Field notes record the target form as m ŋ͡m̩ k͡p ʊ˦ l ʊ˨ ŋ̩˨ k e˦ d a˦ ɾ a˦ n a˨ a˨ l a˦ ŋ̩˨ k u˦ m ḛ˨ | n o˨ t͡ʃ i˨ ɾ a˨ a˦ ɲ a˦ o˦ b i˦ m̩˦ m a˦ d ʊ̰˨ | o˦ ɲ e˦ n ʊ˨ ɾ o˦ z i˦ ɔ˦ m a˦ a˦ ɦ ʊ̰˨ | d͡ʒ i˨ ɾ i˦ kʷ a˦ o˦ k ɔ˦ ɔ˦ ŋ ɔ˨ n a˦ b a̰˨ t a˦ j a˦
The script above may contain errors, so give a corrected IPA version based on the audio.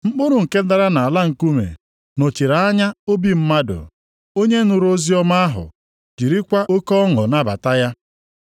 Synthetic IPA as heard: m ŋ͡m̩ k͡p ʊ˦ ɾ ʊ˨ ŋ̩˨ k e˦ d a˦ ɾ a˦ n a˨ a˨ l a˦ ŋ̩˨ k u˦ m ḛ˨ | n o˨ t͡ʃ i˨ ɾ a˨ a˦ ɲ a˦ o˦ b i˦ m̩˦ m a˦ d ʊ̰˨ | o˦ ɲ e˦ n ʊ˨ ɾ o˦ z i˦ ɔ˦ m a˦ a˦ ɦ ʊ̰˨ | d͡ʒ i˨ ɾ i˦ kʷ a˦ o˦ k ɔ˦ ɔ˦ ŋ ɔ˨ n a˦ b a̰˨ t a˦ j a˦

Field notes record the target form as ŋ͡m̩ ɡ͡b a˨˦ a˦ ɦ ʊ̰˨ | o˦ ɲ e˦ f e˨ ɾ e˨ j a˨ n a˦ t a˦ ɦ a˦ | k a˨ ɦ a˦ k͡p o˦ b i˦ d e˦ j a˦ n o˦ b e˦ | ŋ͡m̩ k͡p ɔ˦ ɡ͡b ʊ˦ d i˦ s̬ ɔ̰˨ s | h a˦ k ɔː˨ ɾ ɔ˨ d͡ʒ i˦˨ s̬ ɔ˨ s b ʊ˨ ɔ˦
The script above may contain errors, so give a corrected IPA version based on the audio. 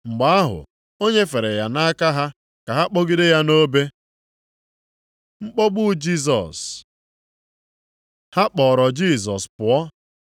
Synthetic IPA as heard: ŋ͡m̩ ɡ͡b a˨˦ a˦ ɦ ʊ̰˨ | o˦ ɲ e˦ f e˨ ɾ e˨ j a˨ n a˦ k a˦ ɦ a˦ | k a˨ ɦ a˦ k͡p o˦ ɡ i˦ d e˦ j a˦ n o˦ b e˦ | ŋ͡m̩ k͡p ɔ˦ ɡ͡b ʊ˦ d͡ʒ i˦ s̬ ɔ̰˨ s | h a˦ k͡p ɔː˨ ɾ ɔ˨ d͡ʒ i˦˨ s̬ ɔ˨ s p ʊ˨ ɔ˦

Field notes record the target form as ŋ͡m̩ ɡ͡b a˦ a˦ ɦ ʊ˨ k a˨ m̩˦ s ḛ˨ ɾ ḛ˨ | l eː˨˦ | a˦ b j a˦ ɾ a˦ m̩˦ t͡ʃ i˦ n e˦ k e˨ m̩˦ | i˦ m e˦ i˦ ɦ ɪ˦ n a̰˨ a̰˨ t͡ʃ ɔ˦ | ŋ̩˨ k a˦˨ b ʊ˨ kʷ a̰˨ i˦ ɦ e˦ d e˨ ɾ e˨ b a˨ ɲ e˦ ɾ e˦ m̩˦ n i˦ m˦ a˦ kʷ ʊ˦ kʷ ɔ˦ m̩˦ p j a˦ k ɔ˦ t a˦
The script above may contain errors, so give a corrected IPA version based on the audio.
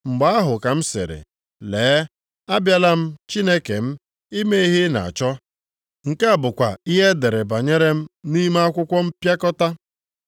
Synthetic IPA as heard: ŋ͡m̩ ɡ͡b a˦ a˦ ɦ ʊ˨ k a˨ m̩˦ s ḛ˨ ɾ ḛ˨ | l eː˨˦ | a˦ b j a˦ l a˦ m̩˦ t͡ʃ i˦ n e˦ k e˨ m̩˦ | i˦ m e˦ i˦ ɦ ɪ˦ n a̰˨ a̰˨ t͡ʃ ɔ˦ | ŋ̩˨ k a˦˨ b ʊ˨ kʷ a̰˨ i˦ ɦ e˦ d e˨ ɾ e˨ b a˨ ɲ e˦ ɾ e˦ m̩˦ n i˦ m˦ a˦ kʷ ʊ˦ kʷ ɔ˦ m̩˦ p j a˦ k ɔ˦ t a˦

